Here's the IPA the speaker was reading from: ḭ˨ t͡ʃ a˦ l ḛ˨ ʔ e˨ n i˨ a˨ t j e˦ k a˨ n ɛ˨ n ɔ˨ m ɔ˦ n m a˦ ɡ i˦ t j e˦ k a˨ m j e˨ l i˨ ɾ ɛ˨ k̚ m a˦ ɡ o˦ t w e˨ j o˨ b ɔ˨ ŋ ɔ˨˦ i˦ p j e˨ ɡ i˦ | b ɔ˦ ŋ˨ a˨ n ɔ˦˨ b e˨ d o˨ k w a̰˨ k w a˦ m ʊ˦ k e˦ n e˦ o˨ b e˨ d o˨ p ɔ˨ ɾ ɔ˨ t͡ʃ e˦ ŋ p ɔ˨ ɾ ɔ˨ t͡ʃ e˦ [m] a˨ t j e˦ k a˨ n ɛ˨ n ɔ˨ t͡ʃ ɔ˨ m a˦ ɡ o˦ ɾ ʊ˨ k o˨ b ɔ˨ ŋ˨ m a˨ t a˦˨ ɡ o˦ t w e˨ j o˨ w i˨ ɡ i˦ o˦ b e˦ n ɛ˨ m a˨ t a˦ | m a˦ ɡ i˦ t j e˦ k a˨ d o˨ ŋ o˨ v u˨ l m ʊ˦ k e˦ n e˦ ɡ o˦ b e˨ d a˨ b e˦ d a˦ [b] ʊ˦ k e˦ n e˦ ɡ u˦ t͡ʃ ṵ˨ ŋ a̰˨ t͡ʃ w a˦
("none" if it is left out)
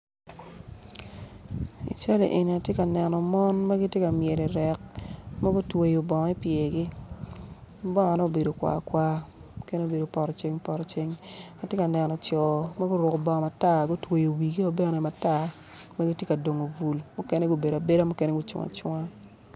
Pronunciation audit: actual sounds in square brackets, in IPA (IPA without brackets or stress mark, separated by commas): ŋ, m